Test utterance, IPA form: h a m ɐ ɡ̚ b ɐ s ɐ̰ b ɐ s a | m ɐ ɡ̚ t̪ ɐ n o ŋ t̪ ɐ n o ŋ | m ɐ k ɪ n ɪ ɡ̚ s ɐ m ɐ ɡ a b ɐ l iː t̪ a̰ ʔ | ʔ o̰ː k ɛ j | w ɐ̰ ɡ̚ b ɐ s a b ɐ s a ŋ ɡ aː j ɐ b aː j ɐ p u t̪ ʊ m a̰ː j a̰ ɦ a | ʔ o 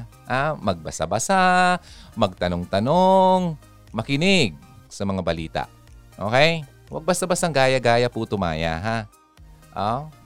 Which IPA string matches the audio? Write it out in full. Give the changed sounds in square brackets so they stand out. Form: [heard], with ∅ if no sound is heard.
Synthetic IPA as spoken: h a m ɐ ɡ̚ b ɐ s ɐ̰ b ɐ s a | m ɐ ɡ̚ t̪ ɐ n o ŋ t̪ ɐ n o ŋ | m ɐ k ɪ n ɪ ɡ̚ s ɐ m ɐ [ŋ] a b ɐ l iː t̪ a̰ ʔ | ʔ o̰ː k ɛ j | w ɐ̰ ɡ̚ b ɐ s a b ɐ s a ŋ ɡ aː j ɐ [ɡ] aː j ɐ p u t̪ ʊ m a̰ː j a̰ ɦ a | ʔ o